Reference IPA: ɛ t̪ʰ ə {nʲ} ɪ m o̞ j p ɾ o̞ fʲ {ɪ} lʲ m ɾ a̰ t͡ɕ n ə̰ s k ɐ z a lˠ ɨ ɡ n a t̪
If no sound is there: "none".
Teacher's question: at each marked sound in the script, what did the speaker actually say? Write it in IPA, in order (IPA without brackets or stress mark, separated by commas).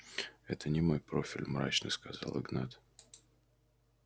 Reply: nʲ, ɪ